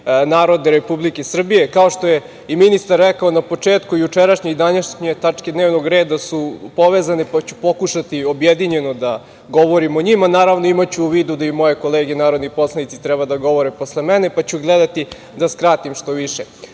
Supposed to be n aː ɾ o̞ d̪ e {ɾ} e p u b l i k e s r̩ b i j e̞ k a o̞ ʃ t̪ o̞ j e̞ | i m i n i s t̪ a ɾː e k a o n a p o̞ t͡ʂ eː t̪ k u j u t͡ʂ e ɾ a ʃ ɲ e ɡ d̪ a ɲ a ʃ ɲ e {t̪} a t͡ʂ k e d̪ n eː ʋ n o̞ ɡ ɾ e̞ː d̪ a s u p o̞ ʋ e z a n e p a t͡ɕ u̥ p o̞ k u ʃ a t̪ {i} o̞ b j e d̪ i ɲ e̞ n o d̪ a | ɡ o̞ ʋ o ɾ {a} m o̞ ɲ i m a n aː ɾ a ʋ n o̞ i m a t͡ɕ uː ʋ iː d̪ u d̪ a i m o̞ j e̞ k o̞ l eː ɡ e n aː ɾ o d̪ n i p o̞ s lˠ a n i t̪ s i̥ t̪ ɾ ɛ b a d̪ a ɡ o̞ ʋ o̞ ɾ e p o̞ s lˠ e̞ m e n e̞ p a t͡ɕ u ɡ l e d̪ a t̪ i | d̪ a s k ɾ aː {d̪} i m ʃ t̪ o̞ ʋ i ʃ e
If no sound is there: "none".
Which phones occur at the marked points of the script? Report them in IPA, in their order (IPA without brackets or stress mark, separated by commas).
ɾ, t̪, i, i, t̪